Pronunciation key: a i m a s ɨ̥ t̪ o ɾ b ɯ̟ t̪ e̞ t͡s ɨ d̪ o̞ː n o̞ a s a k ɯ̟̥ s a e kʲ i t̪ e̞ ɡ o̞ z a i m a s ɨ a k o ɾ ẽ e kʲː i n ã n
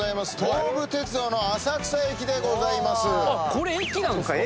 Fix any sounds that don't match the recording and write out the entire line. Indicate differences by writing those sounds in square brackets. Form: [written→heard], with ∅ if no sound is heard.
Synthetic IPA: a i m a s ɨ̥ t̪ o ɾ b ɯ̟ t̪ e̞ t͡s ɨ d̪ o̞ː n o̞ a s a k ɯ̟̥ s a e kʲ i [t̪→d̪] e̞ ɡ o̞ z a i m a s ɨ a k o ɾ [ẽ→e] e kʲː i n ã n